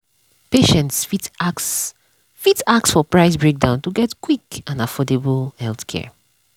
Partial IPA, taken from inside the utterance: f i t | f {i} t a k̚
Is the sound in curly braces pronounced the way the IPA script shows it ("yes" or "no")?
yes